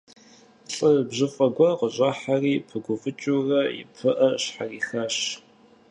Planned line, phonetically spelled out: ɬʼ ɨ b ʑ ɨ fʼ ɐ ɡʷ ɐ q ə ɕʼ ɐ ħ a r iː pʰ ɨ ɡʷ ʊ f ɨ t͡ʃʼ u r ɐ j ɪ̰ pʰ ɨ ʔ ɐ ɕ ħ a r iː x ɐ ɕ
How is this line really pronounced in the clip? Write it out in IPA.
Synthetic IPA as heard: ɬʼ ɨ b ʑ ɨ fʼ ɐ ɡʷ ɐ q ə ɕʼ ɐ ħ a r iː pʰ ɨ ɡʷ ʊ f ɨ t͡ʃʼ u r ɐ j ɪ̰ pʰ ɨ ʔ ɐ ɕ ħ a r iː x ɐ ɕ